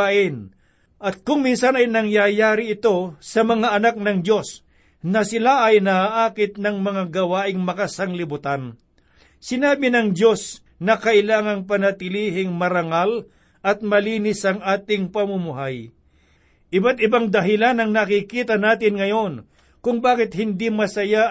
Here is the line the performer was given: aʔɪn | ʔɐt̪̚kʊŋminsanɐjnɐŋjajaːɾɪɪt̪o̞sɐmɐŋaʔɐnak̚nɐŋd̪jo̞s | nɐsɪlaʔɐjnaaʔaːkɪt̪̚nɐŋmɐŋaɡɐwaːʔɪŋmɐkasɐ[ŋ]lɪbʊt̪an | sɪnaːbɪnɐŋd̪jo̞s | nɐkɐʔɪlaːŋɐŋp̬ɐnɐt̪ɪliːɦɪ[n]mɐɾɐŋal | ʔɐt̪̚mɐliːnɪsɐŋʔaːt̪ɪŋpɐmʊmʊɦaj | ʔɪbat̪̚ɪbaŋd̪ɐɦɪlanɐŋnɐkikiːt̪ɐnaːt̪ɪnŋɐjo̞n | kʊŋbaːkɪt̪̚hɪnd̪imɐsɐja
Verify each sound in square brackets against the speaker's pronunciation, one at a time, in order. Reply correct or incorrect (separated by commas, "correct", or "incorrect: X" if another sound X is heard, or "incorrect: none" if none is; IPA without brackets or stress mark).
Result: correct, incorrect: ŋ